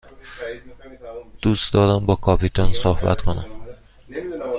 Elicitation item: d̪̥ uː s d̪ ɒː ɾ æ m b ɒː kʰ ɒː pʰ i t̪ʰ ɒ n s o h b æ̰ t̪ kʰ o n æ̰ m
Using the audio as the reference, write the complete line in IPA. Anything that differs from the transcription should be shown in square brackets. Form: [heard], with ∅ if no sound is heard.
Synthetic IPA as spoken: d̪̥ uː s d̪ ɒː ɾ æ m b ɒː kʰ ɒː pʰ i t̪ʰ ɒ n s o h b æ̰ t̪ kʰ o n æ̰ m